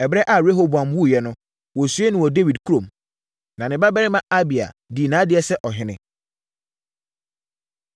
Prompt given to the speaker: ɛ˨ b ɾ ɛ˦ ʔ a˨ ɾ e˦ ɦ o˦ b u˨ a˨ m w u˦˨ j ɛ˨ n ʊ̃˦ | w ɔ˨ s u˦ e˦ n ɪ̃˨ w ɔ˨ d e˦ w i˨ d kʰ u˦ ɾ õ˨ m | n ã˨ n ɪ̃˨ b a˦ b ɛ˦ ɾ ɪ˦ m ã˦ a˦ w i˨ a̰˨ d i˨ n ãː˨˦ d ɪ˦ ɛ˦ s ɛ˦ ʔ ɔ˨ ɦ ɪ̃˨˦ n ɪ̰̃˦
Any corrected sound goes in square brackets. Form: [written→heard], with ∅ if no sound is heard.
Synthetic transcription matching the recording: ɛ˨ b ɾ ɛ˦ ʔ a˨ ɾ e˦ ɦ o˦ b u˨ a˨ m w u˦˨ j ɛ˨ n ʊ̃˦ | w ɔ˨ s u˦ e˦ n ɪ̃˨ w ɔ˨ d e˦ w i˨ d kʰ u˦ ɾ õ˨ m | n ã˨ n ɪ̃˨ b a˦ b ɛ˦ ɾ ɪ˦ m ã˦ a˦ [w→b] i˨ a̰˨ d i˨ n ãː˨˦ d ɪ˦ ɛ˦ s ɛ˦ ʔ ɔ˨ ɦ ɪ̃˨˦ n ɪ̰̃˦